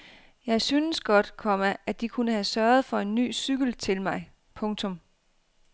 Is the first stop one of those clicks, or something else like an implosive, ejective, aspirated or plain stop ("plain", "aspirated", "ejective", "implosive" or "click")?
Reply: plain